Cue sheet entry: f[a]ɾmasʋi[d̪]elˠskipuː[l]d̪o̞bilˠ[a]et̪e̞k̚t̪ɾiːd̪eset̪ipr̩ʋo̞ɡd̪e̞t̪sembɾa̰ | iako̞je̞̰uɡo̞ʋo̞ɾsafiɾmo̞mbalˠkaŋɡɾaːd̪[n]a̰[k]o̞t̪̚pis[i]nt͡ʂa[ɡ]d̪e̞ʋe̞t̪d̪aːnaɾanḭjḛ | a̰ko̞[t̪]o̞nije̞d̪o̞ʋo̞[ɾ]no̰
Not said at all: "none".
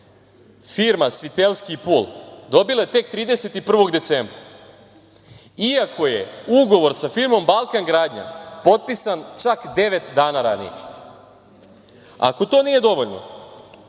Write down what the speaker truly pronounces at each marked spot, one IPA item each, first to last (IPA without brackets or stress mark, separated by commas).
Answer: i, t̪, l, a, ɲ, p, a, k, t̪, ʎ